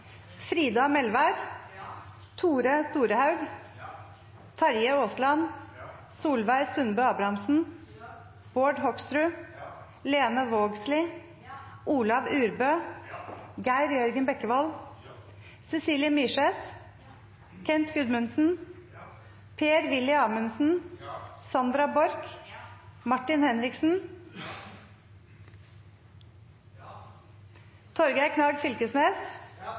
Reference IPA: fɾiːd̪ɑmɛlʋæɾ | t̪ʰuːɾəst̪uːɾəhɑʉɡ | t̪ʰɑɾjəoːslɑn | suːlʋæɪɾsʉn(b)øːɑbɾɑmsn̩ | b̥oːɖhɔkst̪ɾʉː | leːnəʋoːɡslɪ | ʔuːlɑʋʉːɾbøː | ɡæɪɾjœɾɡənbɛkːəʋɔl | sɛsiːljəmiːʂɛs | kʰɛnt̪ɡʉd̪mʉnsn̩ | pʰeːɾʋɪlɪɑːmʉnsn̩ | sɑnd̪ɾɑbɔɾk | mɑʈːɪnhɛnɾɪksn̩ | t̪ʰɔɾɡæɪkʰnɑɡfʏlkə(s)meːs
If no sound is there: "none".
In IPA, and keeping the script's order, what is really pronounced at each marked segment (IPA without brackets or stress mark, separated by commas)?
b, s